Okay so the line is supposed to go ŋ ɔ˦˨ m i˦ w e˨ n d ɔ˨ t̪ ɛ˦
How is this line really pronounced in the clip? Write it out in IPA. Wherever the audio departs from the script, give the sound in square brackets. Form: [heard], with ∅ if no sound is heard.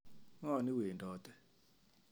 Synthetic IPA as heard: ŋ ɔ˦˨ [n] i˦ w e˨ n d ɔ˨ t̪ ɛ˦